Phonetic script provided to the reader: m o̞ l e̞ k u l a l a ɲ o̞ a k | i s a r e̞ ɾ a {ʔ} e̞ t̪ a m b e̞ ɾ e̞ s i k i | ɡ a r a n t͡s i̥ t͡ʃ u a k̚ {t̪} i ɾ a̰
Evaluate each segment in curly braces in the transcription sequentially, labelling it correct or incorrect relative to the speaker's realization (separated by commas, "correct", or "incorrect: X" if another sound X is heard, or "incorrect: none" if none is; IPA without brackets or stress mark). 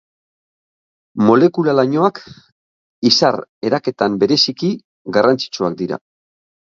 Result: incorrect: k, incorrect: d̪